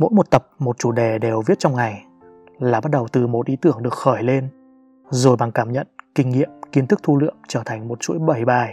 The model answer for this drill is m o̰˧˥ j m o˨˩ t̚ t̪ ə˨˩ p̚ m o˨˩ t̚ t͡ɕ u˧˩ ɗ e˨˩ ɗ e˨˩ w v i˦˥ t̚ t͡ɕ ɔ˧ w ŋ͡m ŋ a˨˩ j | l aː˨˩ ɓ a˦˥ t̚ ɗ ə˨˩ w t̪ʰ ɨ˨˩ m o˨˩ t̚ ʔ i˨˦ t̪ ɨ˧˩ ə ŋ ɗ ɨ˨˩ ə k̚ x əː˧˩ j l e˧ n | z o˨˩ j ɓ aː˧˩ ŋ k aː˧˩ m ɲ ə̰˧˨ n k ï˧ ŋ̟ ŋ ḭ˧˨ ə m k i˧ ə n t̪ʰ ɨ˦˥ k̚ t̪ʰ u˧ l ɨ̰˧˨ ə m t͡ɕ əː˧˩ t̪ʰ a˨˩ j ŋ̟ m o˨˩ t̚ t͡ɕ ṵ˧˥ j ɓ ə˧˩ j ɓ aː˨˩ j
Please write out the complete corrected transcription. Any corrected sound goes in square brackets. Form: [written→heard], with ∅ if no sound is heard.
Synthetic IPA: m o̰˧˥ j m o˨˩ t̚ t̪ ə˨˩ p̚ m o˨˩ t̚ t͡ɕ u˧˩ ɗ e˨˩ ɗ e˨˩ w v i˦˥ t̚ t͡ɕ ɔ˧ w ŋ͡m ŋ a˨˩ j | l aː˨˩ ɓ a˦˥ t̚ ɗ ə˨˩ w [t̪ʰ→t̪] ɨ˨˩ m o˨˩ t̚ ʔ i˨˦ t̪ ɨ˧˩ ə ŋ ɗ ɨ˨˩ ə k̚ x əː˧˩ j l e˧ n | z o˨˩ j ɓ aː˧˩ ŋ k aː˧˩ m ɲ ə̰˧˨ n k ï˧ ŋ̟ ŋ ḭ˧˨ ə m k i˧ ə n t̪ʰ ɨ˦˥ k̚ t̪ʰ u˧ l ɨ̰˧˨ ə m t͡ɕ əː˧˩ t̪ʰ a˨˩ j ŋ̟ m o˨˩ t̚ t͡ɕ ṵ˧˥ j ɓ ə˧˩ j ɓ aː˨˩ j